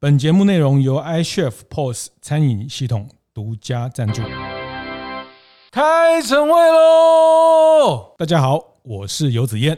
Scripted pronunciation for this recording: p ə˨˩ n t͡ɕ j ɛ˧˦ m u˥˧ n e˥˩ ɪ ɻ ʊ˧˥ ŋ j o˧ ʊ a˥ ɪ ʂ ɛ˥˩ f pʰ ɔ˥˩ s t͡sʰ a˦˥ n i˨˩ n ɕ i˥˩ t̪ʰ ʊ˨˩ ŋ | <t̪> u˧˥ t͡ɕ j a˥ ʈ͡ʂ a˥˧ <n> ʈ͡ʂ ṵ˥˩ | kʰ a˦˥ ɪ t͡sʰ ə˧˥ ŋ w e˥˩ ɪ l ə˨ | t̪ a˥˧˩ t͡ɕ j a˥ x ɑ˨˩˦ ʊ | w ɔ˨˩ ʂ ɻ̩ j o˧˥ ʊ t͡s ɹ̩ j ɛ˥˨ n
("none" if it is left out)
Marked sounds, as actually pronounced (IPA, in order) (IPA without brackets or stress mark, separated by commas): t̪, n